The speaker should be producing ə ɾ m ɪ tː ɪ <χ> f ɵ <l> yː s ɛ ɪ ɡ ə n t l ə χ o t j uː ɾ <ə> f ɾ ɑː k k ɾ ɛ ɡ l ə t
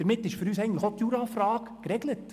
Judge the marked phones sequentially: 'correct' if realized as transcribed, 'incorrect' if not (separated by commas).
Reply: incorrect, incorrect, incorrect